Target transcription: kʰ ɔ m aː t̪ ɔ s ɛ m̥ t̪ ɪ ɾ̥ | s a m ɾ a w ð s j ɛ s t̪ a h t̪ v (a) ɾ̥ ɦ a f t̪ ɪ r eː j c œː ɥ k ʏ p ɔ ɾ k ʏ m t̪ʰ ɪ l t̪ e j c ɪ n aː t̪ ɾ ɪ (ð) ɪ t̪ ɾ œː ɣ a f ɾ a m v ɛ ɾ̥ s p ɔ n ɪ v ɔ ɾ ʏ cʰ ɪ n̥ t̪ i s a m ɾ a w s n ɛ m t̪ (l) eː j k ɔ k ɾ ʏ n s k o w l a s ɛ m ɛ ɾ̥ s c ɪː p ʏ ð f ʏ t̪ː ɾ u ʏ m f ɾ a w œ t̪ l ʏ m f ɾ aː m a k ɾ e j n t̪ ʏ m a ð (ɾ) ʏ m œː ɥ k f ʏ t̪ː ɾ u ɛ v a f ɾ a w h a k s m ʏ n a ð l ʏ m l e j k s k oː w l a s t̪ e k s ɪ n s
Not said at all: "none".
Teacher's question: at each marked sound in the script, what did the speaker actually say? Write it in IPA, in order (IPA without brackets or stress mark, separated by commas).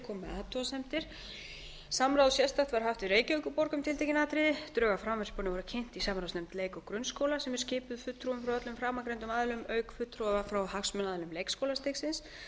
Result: a, ð, l, l